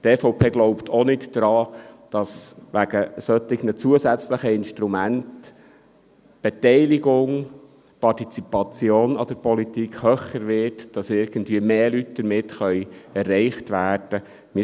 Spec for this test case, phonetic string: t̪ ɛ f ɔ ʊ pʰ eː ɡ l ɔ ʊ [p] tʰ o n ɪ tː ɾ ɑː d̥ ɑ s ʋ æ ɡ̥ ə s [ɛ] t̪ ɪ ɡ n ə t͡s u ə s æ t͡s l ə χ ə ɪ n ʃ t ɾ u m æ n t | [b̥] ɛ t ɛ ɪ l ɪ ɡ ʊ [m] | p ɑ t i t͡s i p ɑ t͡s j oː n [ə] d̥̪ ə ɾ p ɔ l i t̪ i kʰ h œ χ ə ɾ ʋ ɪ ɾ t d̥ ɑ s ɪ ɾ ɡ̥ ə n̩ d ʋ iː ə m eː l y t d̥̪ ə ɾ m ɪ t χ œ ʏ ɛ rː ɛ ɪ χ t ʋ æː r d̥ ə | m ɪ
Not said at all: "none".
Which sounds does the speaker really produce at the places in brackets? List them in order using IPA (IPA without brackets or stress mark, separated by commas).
p, œ, b̥, ŋ, ɑ